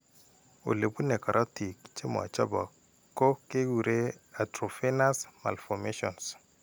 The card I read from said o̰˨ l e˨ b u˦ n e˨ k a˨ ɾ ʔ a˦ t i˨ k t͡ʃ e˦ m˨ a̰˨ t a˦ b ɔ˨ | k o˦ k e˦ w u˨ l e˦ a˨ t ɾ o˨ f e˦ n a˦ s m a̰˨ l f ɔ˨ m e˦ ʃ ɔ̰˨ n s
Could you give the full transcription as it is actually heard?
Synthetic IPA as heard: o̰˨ l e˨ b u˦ n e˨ k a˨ ɾ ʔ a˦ t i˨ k t͡ʃ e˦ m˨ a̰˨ t͡ʃ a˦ b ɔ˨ | k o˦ k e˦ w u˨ ɾ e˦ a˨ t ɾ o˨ f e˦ n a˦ s m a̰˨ l f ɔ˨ m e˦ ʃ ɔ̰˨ n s